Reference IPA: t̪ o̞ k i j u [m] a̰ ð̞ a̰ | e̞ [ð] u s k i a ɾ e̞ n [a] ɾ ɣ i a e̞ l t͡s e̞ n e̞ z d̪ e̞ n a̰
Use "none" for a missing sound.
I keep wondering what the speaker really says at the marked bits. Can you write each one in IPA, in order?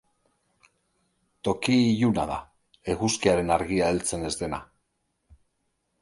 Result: n, ɣ, a

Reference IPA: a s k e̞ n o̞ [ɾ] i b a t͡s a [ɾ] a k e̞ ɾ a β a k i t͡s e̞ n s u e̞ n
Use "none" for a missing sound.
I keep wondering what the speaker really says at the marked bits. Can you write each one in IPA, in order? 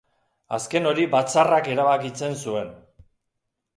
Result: ɾ, r

